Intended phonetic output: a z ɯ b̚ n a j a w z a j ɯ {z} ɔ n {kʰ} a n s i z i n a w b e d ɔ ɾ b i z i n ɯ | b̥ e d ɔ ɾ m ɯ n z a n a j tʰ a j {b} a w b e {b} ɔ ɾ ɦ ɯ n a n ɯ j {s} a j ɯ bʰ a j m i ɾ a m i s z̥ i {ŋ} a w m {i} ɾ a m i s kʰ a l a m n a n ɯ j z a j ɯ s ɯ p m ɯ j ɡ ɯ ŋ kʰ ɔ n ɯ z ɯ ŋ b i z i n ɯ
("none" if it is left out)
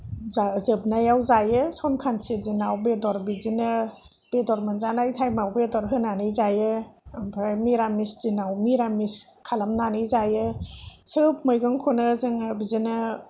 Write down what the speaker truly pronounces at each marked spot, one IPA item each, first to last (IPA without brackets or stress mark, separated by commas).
s, kʰ, m, d, z, n, i